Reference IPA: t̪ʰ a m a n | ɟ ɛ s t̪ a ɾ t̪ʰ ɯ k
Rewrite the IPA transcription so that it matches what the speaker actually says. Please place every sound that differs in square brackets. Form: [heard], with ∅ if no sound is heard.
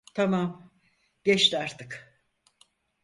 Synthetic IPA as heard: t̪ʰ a m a [m] | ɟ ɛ [ʃ] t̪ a ɾ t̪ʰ ɯ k